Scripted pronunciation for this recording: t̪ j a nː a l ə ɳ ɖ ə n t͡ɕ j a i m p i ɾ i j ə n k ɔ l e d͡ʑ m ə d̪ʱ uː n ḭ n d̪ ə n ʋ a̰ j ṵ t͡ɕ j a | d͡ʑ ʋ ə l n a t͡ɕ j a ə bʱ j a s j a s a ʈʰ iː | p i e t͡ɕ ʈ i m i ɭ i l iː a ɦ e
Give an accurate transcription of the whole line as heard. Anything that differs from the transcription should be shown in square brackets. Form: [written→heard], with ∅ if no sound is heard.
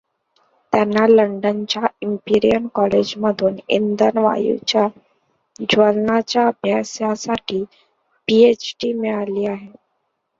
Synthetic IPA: t̪ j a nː a l ə ɳ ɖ ə n t͡ɕ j a i m p i ɾ i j ə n k ɔ l e d͡ʑ m ə d̪ʱ uː n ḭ n d̪ ə n ʋ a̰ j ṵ t͡ɕ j a | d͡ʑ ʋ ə l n a t͡ɕ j a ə bʱ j a s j a s a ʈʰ iː | p i e t͡ɕ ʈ i m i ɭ [i→a] l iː a ɦ e